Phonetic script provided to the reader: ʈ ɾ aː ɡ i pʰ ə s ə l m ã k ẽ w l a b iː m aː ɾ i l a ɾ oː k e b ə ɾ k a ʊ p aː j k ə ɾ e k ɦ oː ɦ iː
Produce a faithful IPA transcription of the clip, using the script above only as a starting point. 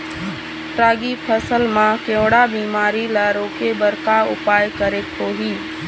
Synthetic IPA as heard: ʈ ɾ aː ɡ i pʰ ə s ə l m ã k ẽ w ɽ a b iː m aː ɾ i l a ɾ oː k e b ə ɾ k a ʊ p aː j k ə ɾ e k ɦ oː ɦ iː